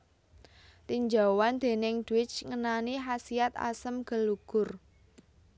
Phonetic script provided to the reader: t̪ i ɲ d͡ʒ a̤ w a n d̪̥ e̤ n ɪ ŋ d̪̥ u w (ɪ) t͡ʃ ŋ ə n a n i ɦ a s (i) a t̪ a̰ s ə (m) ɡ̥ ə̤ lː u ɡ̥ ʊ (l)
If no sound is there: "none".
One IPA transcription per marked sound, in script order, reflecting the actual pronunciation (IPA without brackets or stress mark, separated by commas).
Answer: ɪ, i, m, r